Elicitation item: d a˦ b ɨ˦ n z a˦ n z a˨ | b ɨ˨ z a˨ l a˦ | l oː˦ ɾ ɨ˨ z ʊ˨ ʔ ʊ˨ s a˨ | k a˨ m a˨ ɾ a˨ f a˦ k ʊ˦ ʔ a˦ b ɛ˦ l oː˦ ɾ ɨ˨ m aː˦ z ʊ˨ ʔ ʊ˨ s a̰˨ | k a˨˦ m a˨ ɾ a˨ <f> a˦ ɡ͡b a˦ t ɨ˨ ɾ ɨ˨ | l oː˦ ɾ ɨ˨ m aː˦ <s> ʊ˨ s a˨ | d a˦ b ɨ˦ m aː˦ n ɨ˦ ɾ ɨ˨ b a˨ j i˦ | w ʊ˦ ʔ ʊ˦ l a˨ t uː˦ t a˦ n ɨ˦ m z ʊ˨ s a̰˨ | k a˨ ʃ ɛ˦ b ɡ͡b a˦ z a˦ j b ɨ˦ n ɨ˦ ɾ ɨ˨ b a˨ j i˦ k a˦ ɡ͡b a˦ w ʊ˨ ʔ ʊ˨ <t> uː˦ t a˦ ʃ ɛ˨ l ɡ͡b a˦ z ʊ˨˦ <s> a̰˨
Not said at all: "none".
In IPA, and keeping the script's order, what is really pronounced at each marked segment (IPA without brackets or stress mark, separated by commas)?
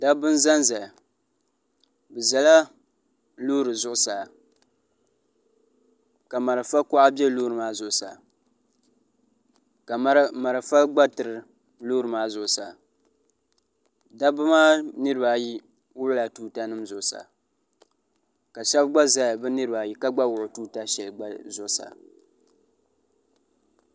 f, z, t, s